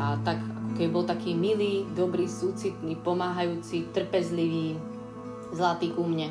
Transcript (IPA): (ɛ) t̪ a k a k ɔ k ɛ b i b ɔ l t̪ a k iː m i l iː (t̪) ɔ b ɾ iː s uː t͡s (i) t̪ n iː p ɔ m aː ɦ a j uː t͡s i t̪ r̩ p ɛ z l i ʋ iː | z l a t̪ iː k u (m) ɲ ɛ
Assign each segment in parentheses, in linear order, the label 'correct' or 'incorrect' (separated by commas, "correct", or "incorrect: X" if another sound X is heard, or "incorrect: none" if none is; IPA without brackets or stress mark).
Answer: incorrect: a, incorrect: d̪, correct, correct